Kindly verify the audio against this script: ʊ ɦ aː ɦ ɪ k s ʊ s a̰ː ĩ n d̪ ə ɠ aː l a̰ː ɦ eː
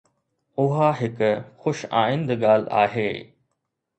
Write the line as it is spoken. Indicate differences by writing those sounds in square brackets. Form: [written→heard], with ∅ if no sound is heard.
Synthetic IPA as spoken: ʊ ɦ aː ɦ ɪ k [s→x] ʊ [s→ʃ] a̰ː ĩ n d̪ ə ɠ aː l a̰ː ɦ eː